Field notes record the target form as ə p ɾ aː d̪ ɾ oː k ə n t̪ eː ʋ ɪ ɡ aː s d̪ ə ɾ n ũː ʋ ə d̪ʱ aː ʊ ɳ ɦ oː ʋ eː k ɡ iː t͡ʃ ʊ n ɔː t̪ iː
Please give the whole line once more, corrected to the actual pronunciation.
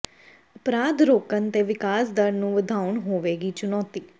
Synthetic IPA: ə p ɾ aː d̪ ɾ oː k ə n t̪ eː ʋ ɪ k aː s d̪ ə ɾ n ũː ʋ ə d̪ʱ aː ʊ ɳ ɦ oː ʋ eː ɡ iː t͡ʃ ʊ n ɔː t̪ iː

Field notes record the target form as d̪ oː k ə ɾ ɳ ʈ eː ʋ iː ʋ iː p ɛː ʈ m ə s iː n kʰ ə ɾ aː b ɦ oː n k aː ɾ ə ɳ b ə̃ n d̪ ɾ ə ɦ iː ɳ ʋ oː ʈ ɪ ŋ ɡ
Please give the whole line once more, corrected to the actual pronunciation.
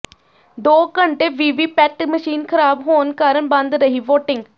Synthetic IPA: d̪ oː k ə ɳ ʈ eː ʋ iː ʋ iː p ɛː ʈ m ə ʃ iː n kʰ ə ɾ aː b ɦ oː n k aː ɾ ə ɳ b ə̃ n d̪ ɾ ə ɦ iː ʋ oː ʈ ɪ ŋ ɡ

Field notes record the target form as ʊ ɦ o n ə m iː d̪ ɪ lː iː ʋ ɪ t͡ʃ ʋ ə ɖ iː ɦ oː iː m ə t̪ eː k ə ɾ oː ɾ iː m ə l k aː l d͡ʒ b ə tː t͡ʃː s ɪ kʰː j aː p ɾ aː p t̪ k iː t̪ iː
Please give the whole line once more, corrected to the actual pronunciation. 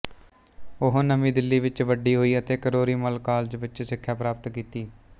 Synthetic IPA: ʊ ɦ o n ə m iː d̪ ɪ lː iː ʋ ɪ t͡ʃ ʋ ə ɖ iː ɦ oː iː ə t̪ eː k ə ɾ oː ɾ iː m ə l k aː l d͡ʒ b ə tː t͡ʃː s ɪ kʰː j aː p ɾ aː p t̪ k iː t̪ iː

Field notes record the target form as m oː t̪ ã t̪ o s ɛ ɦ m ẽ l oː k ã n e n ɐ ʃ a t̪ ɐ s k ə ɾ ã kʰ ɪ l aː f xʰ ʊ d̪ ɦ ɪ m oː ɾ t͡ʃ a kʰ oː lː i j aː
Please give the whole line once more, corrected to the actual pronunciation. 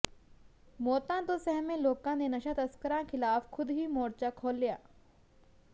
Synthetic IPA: m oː t̪ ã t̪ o s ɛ ɦ m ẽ l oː k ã n e n ɐ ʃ a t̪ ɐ s k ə ɾ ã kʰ ɪ l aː f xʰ ʊ d̪ ɦ i m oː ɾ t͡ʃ a kʰ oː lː i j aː

